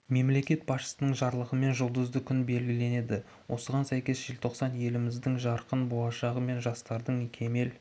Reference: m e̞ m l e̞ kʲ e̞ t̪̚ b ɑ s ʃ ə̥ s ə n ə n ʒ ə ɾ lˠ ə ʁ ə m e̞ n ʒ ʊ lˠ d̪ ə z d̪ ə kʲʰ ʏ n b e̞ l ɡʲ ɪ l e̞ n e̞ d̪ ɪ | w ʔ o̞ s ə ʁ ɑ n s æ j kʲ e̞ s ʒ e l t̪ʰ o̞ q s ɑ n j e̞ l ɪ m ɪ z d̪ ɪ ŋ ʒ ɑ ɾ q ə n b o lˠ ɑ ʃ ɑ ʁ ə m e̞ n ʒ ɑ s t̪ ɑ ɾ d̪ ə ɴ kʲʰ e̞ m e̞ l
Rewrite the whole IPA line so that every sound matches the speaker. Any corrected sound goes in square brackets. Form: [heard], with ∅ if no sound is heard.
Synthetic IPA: m e̞ m l e̞ kʲ e̞ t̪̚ b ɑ s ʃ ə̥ s ə n ə [ɴ] ʒ [ɑ] ɾ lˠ ə ʁ ə m e̞ n ʒ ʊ lˠ d̪ ə z d̪ ə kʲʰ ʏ n b e̞ l ɡʲ ɪ l e̞ n e̞ d̪ ɪ | w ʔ o̞ s ə ʁ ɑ n s æ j kʲ e̞ s ʒ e l t̪ʰ o̞ q s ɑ n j e̞ l ɪ m ɪ z d̪ ɪ ŋ ʒ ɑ ɾ q ə n b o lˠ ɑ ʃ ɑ ʁ ə m e̞ n ʒ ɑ s t̪ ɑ ɾ d̪ ə ɴ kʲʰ e̞ m e̞ l